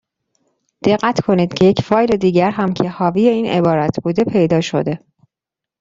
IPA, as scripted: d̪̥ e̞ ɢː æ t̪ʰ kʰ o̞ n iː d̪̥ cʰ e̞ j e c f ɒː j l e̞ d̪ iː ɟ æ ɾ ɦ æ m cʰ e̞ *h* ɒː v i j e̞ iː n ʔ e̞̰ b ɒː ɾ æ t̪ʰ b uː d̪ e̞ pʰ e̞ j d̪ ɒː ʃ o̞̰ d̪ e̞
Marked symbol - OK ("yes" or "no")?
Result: yes